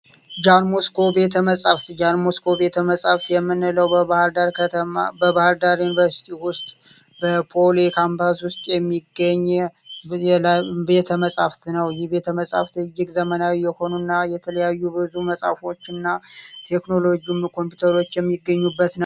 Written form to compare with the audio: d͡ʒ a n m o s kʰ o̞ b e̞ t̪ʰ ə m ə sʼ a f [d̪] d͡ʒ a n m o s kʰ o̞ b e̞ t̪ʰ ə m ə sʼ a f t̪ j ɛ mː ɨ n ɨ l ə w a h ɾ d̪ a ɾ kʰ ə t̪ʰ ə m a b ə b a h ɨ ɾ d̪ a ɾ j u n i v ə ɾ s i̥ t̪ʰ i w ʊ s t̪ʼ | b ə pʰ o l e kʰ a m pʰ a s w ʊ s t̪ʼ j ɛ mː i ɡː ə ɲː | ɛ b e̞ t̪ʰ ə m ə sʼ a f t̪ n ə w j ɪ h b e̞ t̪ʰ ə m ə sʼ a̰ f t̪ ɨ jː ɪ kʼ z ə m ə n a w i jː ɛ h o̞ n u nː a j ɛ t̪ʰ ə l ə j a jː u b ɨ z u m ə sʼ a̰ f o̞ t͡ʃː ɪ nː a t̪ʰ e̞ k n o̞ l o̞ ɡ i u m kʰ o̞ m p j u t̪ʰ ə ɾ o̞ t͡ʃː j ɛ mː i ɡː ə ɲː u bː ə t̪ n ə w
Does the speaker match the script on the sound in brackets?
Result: no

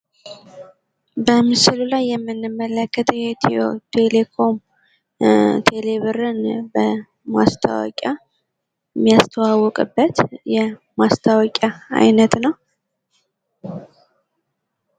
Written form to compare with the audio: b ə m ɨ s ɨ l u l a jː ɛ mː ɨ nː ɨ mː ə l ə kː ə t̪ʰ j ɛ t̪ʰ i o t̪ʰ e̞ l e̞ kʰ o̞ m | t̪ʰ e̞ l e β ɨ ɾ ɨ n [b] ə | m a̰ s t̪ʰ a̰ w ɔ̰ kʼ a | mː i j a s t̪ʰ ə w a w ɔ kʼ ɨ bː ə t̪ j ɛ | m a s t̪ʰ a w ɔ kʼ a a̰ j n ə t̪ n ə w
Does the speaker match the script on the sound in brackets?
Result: yes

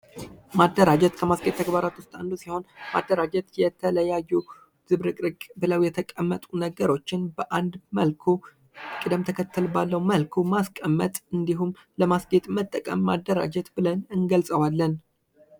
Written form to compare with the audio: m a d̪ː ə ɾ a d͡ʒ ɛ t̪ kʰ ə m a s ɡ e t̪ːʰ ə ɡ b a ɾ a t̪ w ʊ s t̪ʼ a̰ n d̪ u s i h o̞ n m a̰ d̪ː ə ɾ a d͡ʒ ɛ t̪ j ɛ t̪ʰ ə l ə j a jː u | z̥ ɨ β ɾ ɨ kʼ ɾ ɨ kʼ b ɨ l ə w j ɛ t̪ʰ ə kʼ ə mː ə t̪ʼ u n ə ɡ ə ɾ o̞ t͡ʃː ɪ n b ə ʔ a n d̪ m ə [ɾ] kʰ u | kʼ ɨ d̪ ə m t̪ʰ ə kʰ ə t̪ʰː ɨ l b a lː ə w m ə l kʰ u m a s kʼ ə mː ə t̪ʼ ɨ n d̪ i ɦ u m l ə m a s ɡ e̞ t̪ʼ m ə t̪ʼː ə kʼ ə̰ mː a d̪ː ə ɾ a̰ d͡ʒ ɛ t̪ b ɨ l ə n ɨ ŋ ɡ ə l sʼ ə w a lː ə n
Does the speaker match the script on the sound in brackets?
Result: no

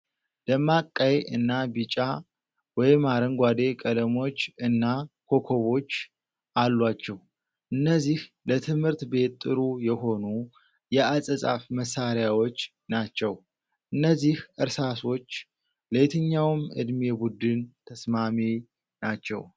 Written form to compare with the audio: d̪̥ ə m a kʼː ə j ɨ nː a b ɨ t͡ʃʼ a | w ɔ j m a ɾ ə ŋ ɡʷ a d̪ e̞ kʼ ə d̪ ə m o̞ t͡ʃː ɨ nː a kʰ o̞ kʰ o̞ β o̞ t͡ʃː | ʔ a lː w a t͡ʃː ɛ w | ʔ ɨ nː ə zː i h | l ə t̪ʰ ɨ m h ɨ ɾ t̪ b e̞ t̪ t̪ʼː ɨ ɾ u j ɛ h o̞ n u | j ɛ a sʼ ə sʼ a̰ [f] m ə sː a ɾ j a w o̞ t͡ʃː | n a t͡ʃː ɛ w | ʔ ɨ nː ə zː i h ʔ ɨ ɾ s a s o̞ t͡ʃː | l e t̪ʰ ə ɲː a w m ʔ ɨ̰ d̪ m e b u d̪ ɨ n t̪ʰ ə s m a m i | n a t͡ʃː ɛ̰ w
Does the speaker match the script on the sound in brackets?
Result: yes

